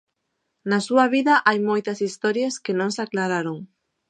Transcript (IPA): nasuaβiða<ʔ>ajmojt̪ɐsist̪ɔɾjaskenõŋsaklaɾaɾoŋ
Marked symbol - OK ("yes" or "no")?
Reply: yes